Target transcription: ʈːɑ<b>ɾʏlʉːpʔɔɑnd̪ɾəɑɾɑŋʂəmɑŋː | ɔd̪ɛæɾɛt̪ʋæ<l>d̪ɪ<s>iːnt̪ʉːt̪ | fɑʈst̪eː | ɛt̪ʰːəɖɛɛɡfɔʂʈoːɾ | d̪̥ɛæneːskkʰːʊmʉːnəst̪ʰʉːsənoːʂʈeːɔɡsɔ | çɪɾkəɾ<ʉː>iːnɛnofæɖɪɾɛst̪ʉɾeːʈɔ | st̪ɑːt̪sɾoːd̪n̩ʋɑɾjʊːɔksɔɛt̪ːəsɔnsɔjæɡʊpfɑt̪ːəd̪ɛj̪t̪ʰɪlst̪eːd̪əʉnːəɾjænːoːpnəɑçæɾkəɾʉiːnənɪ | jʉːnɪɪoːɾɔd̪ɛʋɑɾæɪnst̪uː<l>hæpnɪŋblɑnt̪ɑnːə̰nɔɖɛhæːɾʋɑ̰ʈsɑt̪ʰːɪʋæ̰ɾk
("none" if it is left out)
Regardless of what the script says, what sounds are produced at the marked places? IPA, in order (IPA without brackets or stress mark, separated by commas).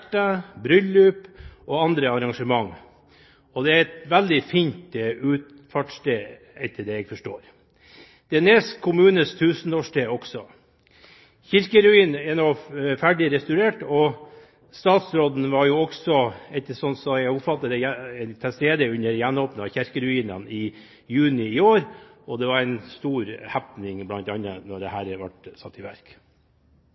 b, l, f, ʉ, ɾ